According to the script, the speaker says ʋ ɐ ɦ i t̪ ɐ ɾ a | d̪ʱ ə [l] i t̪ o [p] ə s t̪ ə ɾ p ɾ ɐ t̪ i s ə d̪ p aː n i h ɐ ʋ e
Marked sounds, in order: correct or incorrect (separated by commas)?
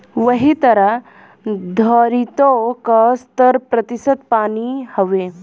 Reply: incorrect, incorrect